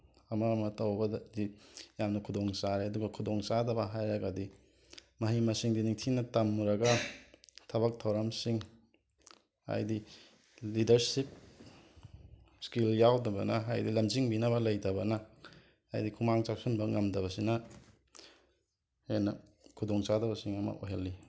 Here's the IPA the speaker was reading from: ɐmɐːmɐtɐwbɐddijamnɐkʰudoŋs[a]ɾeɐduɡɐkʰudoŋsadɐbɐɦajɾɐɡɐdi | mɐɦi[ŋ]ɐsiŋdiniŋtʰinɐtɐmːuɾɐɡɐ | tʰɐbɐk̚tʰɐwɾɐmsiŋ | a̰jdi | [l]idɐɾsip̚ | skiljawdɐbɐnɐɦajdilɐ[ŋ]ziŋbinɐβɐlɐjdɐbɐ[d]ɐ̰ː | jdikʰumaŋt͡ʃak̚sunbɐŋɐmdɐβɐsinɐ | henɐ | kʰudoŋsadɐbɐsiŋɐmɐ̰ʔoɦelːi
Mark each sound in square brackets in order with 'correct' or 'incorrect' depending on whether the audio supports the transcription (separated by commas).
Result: correct, incorrect, correct, incorrect, incorrect